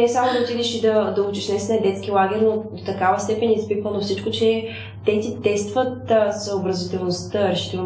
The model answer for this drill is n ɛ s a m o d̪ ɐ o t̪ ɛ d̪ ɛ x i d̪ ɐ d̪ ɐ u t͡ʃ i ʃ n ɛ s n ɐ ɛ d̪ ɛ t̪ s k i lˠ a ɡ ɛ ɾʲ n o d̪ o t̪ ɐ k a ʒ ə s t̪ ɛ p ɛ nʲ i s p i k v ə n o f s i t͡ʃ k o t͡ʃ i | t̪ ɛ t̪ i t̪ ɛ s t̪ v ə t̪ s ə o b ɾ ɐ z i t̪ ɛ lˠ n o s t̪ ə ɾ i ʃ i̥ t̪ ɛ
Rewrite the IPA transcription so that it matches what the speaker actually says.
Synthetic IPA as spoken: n ɛ s a m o d̪ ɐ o t̪ i d̪ ɛ ʃ i d̪ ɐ d̪ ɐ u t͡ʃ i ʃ n ɛ s n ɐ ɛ d̪ ɛ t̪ s k i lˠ a ɡ ɛ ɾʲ n o d̪ o t̪ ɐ k a v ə s t̪ ɛ p ɛ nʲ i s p i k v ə n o f s i t͡ʃ k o t͡ʃ ɛ | t̪ ɛ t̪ i t̪ ɛ s t̪ v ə t̪ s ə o b ɾ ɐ z i t̪ ɛ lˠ n o s t̪ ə ɾ ɛ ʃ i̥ t̪ ɛ